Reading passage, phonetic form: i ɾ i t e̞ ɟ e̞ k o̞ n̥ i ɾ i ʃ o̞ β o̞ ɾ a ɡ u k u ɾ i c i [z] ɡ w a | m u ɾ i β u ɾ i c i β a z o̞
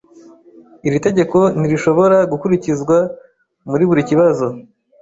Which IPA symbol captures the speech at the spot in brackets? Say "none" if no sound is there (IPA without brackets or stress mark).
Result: z